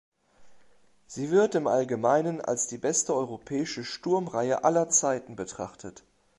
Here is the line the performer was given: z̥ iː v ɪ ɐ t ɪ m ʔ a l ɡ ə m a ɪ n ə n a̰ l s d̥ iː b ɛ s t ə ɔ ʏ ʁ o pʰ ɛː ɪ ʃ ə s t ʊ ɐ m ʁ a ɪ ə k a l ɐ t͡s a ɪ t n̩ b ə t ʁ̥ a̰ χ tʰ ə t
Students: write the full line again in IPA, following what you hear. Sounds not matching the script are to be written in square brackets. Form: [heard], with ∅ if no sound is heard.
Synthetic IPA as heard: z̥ iː v ɪ ɐ t ɪ m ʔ a l ɡ ə m a ɪ n ə n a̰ l s d̥ iː b ɛ s t ə ɔ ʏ ʁ o pʰ ɛː ɪ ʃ ə [ʃ] t ʊ ɐ m ʁ a ɪ ə [ʔ] a l ɐ t͡s a ɪ t n̩ b ə t ʁ̥ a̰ χ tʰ ə t